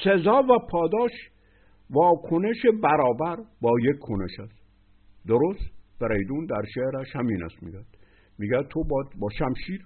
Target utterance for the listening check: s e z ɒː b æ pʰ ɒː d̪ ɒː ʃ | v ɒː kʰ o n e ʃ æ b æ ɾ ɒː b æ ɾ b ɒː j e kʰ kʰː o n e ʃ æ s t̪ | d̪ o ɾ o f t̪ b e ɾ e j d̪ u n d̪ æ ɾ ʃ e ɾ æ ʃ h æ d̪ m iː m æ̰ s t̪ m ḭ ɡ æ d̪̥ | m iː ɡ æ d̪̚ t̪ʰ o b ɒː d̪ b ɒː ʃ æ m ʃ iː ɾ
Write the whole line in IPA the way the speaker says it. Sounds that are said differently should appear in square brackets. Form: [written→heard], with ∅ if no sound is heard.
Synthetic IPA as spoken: s e z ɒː [b→v] æ pʰ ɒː d̪ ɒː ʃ | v ɒː kʰ o n e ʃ [æ→e] b æ ɾ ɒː b æ ɾ b ɒː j e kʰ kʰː o n e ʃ æ s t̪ | d̪ o ɾ o [f→s] t̪ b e ɾ e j d̪ u n d̪ æ ɾ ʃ e ɾ æ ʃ h æ [d̪→∅] m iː [m→n] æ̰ s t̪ m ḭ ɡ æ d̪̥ | m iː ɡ æ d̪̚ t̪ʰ o b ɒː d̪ b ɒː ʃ æ m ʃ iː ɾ